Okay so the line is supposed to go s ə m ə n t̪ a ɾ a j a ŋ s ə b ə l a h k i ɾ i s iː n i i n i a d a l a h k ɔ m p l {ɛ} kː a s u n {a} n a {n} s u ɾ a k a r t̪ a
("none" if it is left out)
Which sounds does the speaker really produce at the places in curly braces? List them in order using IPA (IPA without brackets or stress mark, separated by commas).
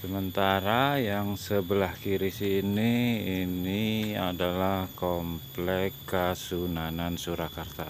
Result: ɛ, a, n